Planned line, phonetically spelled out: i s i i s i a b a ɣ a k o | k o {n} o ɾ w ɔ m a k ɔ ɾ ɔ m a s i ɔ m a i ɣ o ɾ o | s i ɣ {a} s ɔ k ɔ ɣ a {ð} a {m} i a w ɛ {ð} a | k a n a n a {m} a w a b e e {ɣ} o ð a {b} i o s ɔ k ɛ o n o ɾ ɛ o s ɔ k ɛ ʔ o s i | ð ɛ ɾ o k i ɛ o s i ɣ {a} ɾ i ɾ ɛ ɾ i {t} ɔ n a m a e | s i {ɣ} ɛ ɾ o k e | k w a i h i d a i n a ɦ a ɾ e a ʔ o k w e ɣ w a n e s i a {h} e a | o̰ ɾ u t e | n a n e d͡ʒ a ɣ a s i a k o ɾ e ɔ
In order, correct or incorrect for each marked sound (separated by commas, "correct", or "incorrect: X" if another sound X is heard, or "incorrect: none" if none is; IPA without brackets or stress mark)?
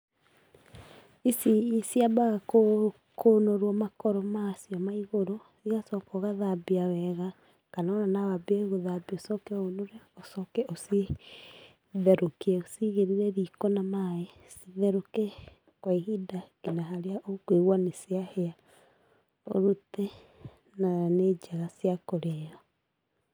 correct, correct, correct, incorrect: b, incorrect: ɣ, incorrect: n, correct, correct, incorrect: e, incorrect: k, incorrect: ð, correct